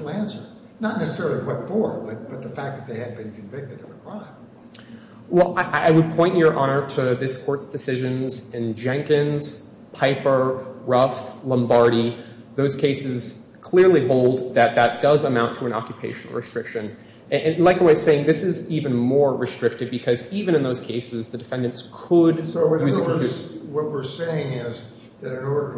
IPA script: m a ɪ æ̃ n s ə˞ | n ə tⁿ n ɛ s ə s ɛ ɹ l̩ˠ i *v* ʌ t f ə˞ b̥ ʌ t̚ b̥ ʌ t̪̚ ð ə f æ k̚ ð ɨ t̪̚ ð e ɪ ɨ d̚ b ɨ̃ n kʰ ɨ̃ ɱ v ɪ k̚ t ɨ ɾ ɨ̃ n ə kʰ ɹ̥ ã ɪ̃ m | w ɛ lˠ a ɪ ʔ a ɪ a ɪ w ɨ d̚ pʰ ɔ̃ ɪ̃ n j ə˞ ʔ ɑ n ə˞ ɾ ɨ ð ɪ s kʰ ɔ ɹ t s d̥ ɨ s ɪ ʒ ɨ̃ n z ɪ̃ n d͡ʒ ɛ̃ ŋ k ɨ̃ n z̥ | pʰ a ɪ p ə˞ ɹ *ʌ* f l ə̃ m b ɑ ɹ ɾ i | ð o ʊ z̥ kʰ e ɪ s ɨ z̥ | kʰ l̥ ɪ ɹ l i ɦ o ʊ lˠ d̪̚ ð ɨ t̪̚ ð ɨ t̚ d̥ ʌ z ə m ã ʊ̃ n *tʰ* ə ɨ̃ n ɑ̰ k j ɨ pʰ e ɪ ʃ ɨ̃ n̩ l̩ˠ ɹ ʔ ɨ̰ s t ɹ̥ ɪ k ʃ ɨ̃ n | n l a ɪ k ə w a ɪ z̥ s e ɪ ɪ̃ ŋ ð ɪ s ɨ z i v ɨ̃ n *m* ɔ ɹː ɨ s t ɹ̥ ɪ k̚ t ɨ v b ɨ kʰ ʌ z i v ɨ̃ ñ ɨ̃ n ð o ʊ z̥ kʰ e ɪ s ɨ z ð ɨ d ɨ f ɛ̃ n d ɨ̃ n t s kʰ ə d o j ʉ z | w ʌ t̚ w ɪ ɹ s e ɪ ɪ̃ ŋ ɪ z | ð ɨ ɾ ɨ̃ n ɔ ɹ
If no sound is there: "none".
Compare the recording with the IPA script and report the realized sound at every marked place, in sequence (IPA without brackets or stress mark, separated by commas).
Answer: w, ʌ, tʰ, m